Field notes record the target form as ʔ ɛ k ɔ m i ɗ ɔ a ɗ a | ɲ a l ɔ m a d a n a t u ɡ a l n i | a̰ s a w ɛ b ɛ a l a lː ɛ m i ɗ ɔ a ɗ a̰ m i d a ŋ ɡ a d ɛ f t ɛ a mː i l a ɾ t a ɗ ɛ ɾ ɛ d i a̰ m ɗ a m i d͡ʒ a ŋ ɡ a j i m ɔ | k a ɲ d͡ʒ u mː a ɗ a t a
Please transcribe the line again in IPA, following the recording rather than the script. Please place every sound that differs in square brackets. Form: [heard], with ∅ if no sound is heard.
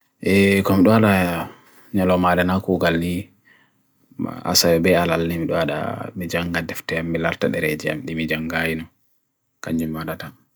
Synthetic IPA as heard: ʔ ɛ k ɔ m i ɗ ɔ a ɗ a | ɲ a l ɔ m a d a n a [k] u ɡ a l n i | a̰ s a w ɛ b ɛ a l a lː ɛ m i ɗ ɔ a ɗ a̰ m i [d͡ʒ] a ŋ ɡ a d ɛ f t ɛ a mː i l a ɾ t a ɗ ɛ ɾ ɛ [d͡ʒ] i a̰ m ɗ [i] m i d͡ʒ a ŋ ɡ a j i [n] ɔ | k a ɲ d͡ʒ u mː a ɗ a t a